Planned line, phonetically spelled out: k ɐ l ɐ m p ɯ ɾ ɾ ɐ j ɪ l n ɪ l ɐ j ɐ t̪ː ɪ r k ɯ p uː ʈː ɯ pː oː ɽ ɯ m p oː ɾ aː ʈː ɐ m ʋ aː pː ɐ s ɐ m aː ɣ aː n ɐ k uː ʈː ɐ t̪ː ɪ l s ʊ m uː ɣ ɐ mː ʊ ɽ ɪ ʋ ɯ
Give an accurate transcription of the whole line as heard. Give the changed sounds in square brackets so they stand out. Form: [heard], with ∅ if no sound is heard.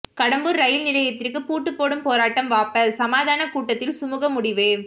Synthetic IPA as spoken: k ɐ [ɽ] ɐ m [b] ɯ ɾ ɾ ɐ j ɪ l n ɪ l ɐ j ɐ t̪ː ɪ r k ɯ p uː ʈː ɯ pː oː ɽ ɯ m p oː ɾ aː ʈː ɐ m ʋ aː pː ɐ s ɐ m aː [ð] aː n ɐ k uː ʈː ɐ t̪ː ɪ l s ʊ m uː ɣ ɐ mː ʊ ɽ ɪ ʋ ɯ